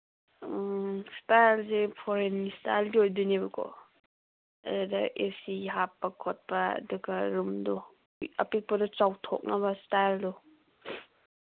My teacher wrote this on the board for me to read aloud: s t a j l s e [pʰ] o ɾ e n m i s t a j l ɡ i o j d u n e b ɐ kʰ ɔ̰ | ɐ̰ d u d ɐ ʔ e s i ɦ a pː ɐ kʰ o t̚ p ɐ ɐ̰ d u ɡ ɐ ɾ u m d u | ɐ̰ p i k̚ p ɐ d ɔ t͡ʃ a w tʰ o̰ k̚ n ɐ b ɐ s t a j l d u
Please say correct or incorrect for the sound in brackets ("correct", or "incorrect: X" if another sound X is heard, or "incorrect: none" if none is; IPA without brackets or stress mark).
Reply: correct